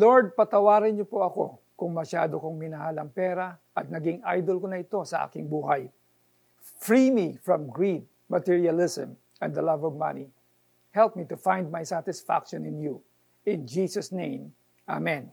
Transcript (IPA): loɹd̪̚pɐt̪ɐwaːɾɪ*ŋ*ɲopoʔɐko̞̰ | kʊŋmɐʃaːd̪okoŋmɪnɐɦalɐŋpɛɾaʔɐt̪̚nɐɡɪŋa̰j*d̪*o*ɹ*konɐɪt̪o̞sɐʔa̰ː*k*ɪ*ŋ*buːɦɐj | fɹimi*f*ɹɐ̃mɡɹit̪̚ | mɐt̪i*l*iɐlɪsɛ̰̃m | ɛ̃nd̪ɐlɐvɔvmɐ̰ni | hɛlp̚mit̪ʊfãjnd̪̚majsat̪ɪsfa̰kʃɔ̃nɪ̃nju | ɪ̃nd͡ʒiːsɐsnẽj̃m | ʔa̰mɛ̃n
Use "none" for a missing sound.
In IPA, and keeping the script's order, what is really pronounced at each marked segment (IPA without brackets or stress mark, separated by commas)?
n, d̪, l, k, ŋ, f, ɹ